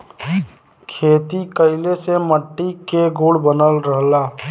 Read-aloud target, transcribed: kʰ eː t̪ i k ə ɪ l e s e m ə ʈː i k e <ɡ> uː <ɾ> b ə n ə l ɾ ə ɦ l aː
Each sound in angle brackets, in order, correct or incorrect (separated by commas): correct, incorrect